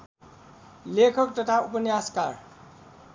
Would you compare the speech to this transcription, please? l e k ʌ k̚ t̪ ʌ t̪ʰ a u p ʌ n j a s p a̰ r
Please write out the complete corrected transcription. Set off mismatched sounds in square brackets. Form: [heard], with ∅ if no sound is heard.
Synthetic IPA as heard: l e [kʰ] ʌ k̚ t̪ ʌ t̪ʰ a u p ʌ n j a s [k] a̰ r